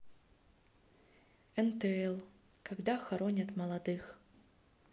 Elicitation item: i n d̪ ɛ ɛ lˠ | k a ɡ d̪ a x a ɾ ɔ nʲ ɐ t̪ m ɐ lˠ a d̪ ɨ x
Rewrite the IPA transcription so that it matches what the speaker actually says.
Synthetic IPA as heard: ɛ n t̪ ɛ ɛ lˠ | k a ɡ d̪ a x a ɾ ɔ nʲ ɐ t̪ m ɐ lˠ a d̪ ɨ x